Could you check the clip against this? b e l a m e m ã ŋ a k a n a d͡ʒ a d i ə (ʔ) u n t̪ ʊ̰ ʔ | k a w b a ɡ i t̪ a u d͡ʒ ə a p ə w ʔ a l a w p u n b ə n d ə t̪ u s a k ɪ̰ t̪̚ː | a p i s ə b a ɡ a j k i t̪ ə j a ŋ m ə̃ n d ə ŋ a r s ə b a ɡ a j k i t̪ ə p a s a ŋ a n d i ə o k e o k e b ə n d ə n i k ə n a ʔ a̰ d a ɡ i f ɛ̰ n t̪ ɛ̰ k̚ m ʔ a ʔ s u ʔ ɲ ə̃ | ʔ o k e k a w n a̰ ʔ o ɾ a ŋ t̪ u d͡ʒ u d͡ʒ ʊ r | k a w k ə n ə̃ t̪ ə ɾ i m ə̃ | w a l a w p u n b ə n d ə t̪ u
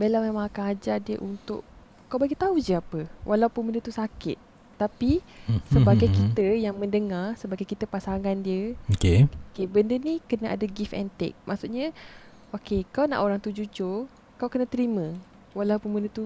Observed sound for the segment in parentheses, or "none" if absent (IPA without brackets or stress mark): ʔ